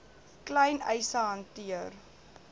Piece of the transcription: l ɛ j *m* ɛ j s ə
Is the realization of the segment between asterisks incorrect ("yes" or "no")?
yes